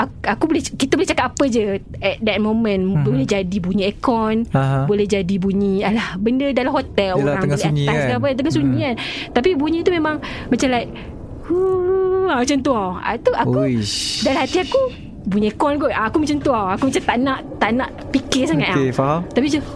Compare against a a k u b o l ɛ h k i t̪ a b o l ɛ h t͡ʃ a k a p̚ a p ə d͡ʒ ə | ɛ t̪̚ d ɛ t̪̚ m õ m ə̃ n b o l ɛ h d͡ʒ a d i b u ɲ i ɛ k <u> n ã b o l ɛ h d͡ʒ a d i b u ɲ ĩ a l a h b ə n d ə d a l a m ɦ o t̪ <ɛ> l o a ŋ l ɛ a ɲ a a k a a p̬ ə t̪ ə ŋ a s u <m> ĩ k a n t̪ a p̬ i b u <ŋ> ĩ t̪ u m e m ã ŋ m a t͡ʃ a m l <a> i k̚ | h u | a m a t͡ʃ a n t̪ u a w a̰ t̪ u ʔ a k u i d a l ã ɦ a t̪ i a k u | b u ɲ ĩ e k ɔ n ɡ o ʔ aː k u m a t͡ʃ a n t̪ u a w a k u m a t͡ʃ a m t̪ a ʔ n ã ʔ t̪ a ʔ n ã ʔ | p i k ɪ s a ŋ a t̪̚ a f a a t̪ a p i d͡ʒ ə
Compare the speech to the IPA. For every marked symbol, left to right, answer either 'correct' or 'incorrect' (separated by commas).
incorrect, correct, incorrect, incorrect, correct